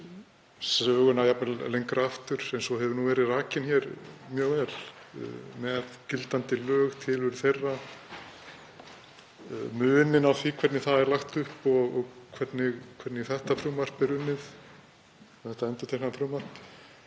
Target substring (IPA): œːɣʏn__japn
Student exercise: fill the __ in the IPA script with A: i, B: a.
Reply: B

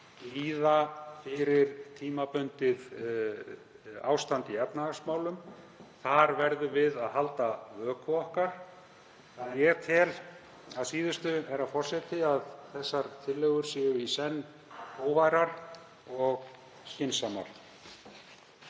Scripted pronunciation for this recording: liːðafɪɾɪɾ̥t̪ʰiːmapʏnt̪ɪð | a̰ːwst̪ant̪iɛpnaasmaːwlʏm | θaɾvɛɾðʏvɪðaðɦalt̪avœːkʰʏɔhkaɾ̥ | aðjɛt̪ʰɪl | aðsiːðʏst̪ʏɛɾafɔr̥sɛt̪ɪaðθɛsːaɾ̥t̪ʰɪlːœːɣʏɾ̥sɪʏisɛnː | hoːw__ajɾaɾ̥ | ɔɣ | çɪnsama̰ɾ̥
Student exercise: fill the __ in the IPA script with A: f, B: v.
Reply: B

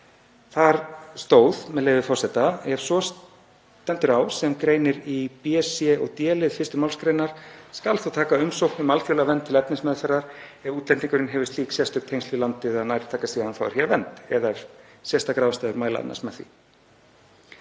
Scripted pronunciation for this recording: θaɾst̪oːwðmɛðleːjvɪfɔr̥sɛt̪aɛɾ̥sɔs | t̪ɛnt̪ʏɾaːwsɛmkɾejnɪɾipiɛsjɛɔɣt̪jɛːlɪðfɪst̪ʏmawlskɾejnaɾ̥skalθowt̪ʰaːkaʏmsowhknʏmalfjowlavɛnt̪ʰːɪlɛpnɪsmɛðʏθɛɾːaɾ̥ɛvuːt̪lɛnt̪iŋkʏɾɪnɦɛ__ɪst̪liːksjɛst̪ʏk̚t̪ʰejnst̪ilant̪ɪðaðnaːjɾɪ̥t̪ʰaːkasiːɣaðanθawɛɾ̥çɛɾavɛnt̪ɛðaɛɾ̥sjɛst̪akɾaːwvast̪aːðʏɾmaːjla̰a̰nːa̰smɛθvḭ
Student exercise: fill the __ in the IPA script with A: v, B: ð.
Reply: A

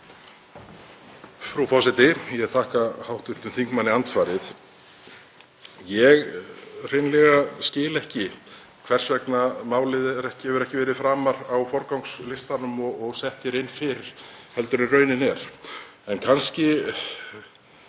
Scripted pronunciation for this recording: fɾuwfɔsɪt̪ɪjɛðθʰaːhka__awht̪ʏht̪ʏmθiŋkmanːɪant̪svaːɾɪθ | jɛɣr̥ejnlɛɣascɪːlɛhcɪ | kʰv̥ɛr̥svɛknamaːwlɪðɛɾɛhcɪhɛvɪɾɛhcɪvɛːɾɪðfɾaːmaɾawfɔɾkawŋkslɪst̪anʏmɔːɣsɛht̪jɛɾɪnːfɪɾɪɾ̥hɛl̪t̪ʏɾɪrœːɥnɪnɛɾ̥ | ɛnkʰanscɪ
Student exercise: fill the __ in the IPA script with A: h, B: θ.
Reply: A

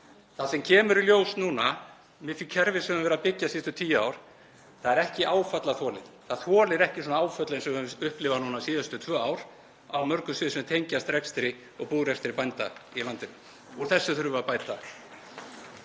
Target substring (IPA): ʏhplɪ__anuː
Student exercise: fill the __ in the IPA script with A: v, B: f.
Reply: A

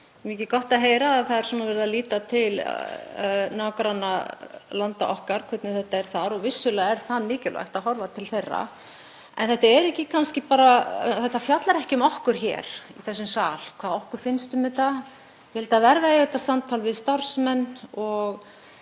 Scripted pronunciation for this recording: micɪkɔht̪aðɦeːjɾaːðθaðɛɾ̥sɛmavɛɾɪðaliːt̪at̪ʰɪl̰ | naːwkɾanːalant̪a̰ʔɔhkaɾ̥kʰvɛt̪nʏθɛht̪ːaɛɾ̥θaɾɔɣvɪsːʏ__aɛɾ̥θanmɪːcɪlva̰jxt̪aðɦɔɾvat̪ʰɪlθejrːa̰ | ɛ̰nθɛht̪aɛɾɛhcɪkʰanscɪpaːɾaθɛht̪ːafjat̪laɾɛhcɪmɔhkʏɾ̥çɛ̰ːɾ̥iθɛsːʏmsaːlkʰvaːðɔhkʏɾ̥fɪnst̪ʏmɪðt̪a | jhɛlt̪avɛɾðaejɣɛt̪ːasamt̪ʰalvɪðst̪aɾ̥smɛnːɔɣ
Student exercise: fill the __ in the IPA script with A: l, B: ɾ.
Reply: A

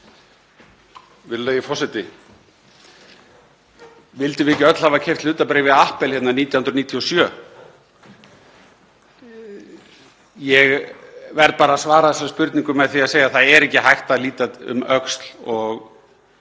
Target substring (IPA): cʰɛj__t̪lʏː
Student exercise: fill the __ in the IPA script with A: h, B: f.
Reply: B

